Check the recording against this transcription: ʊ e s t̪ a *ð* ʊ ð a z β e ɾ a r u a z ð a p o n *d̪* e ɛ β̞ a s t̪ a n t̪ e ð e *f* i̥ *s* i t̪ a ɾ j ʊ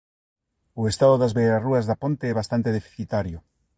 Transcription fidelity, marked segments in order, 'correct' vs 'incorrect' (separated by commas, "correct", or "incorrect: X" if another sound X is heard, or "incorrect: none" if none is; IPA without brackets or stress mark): correct, incorrect: t̪, correct, incorrect: θ